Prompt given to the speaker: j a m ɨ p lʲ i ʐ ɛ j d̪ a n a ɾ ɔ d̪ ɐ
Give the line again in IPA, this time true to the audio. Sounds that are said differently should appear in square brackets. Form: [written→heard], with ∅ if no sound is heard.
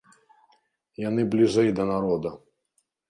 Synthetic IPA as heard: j a [m→n] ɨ [p→b] lʲ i ʐ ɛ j d̪ [a→ɐ] n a ɾ ɔ d̪ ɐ